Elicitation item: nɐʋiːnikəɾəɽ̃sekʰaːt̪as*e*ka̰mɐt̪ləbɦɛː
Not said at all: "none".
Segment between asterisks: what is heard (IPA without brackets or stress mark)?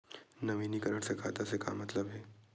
e